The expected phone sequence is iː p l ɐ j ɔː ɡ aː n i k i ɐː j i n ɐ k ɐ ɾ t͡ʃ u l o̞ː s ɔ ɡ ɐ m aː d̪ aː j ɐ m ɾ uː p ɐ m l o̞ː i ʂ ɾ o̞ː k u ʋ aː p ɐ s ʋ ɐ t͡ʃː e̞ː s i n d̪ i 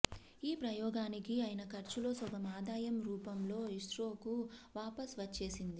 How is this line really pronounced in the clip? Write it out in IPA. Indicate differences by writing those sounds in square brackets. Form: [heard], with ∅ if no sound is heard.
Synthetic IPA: iː p [ɾ] ɐ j ɔː ɡ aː n i k i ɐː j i n ɐ k ɐ ɾ t͡ʃ u l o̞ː s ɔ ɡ ɐ m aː d̪ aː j ɐ m ɾ uː p ɐ m l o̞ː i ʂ ɾ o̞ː k u ʋ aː p ɐ s ʋ ɐ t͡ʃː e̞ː s i n d̪ i